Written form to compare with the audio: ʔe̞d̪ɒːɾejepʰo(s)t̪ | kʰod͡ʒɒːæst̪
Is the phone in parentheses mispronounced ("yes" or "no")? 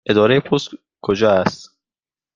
no